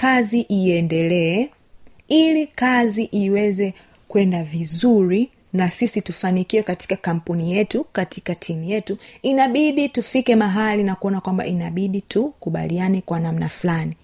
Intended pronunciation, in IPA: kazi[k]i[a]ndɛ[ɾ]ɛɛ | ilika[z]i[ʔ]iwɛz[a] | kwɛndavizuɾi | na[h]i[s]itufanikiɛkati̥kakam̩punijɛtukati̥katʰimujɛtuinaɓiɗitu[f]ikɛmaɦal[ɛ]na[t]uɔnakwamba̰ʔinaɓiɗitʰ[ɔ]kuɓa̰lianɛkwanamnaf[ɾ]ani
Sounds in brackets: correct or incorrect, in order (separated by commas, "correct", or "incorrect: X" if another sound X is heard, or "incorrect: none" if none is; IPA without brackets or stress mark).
incorrect: ʔ, incorrect: ɛ, incorrect: l, correct, correct, incorrect: ɛ, incorrect: s, correct, correct, incorrect: i, incorrect: k, incorrect: u, incorrect: l